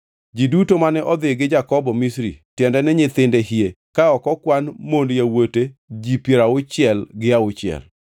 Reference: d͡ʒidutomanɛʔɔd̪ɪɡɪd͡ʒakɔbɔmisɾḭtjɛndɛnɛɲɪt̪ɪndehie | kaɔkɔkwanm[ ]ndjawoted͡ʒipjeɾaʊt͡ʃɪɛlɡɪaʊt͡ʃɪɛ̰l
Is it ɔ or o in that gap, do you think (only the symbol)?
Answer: o